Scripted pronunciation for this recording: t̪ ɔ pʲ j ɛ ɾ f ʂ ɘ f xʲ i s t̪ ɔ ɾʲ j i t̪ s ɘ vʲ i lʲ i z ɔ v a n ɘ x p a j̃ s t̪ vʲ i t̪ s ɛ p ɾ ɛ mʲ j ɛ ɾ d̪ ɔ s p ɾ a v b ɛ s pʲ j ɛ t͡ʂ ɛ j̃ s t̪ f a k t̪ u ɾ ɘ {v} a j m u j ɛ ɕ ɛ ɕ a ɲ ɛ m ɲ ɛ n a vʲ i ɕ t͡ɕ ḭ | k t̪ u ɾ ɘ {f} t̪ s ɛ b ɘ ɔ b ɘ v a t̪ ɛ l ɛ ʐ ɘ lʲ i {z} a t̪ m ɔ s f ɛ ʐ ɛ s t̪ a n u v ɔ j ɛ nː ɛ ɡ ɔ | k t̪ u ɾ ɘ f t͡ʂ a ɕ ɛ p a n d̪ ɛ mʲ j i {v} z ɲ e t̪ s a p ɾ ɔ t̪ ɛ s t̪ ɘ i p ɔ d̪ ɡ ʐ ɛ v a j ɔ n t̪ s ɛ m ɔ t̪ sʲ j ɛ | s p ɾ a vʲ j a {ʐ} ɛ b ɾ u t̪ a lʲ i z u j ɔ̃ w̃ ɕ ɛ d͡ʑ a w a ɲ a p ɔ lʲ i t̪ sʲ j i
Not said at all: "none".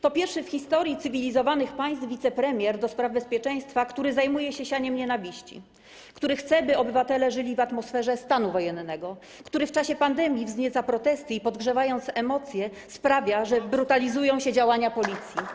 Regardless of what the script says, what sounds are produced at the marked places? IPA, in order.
z, x, v, v, ʐ

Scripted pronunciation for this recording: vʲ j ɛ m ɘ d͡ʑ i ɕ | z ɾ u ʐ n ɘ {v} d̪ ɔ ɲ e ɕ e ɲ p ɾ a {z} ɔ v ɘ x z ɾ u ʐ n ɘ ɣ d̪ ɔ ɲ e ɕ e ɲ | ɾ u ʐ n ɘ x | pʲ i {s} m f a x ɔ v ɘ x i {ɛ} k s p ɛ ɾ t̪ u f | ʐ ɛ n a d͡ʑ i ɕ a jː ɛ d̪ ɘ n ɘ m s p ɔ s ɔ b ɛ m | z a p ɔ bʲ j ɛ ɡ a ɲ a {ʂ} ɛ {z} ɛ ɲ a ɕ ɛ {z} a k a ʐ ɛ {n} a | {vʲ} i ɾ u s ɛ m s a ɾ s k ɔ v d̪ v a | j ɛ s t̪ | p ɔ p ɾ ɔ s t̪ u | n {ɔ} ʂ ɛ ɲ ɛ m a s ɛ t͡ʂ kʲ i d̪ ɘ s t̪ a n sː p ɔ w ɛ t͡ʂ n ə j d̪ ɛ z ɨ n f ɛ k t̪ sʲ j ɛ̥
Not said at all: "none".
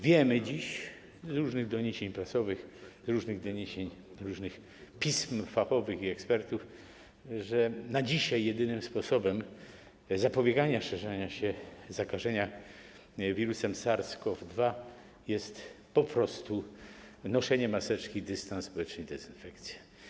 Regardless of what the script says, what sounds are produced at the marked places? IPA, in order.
ɣ, s, s, ɛ, ʂ, ʐ, z, ɲ, vʲ, ɔ

